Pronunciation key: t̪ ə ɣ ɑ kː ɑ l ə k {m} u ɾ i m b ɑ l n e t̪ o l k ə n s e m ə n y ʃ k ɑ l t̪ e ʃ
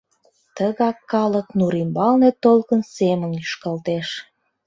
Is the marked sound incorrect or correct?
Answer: incorrect